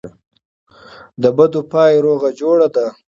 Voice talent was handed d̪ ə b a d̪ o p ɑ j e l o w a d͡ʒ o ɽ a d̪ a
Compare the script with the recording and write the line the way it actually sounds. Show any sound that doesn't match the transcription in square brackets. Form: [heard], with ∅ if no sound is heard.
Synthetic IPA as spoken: d̪ ə b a d̪ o p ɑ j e [ɾ] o [ɣ] a d͡ʒ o ɽ a d̪ a

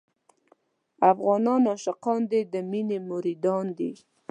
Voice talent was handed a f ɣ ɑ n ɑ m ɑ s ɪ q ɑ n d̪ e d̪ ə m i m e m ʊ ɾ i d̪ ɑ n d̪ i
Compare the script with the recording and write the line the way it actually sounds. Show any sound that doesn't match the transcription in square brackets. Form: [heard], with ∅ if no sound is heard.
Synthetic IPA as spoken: a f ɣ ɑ n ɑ [n] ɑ [ʃ] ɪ q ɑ n d̪ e d̪ ə m i [n] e m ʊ ɾ i d̪ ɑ n d̪ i

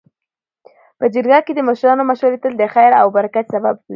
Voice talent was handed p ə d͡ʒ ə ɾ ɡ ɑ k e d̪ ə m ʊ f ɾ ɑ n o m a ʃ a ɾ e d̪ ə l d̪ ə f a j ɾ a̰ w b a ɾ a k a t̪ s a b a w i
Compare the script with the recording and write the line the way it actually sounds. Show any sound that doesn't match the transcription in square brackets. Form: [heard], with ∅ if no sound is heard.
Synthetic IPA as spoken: p ə d͡ʒ ə ɾ ɡ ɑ k e d̪ ə m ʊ [ʃ] ɾ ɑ n o m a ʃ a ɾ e [t̪] ə l d̪ ə [x] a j ɾ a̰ w b a ɾ a k a t̪ s a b a [b] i

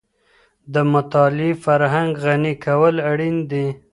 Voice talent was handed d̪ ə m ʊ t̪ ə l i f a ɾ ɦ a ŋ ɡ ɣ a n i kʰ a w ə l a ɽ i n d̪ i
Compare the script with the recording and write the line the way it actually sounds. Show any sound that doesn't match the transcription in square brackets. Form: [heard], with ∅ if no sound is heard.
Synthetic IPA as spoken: d̪ ə m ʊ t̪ [ɑ] l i f a ɾ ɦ a ŋ ɡ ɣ a n i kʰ a w ə l a ɽ i n d̪ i

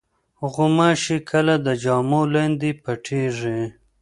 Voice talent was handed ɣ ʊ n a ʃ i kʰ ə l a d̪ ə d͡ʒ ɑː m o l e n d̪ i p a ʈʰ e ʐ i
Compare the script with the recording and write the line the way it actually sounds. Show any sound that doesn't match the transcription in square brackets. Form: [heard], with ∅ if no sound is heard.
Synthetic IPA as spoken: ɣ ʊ [m] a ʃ i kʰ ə l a d̪ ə d͡ʒ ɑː m o l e n d̪ i p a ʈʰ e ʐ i

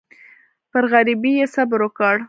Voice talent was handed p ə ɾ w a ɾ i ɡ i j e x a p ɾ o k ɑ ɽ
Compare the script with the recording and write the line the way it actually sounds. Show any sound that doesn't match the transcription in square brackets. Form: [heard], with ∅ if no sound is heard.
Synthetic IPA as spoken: p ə ɾ [ɣ] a ɾ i [b] i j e [s] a [b] ɾ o k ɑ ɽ

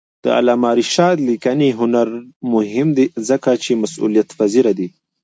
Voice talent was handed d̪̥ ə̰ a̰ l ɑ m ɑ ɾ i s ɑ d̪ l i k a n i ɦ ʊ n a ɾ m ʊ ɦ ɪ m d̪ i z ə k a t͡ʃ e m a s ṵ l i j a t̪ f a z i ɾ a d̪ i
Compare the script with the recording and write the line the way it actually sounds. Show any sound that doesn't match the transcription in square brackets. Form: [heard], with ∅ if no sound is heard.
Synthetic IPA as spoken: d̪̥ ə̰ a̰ l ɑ m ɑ ɾ i [ʃ] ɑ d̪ l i k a n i ɦ ʊ n a ɾ m ʊ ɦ ɪ m d̪ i z ə k a t͡ʃ e m a s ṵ l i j a t̪ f a z i ɾ a d̪ i

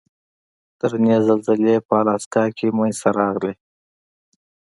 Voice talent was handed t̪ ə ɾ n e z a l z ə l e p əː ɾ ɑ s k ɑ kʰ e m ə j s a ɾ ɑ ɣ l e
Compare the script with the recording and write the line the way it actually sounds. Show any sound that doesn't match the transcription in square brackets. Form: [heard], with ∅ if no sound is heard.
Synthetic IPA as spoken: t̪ ə ɾ n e z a l z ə l e p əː [l] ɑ s k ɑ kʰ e m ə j s a ɾ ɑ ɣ l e

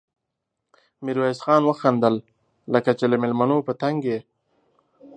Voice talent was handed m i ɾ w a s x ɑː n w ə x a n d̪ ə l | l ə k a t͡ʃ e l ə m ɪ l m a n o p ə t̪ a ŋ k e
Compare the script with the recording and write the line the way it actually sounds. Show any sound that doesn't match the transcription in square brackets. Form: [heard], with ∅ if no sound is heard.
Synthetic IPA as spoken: m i ɾ w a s x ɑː n w ə x a n d̪ ə l | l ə k a t͡ʃ e l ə m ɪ l m a n o p ə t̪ a ŋ [ɡ] e

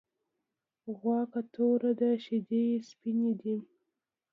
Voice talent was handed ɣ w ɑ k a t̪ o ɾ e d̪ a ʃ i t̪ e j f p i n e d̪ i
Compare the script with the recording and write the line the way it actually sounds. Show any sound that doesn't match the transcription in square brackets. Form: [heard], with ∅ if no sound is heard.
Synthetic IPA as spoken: ɣ w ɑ k a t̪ o ɾ [a] d̪ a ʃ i [d̪] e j [s] p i n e d̪ i

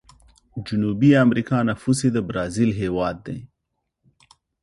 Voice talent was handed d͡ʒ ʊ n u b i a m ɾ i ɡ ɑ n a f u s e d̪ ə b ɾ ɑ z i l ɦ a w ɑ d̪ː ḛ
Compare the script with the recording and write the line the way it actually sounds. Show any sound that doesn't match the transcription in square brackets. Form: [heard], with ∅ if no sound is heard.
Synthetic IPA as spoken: d͡ʒ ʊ n u b i a m ɾ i [k] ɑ n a f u s e d̪ ə b ɾ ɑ z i l ɦ [e] w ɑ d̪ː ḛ

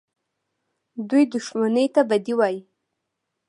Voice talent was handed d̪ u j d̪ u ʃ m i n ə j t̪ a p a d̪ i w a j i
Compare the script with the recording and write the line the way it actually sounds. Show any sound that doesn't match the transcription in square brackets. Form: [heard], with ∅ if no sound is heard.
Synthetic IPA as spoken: d̪ u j d̪ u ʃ m [a] n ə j t̪ a [b] a d̪ i w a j i

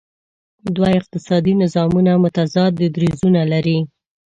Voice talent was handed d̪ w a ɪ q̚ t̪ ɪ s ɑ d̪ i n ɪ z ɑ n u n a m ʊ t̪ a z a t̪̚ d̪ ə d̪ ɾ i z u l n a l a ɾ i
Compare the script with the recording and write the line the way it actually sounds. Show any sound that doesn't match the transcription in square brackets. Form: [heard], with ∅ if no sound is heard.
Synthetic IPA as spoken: d̪ w a ɪ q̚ t̪ ɪ s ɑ d̪ i n ɪ z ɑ [m] u n a m ʊ t̪ a z [ɑ] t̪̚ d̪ ə d̪ ɾ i z u [∅] n a l a ɾ i

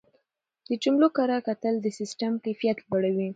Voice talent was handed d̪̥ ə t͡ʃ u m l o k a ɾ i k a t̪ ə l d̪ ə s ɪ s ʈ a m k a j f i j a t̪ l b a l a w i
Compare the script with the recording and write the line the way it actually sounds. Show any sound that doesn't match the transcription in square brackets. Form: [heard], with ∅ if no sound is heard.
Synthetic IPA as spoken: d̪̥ ə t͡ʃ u m l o k a ɾ [a] k a t̪ ə l d̪ ə s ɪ s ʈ a m k a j f i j a t̪ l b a [ɽ] a w i

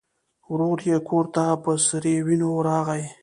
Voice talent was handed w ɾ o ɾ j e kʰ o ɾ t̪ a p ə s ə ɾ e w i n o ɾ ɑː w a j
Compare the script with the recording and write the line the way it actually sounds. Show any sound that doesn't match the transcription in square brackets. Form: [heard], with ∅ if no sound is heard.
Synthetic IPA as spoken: w ɾ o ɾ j e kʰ o ɾ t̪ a p ə s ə ɾ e w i n o ɾ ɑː [ɣ] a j

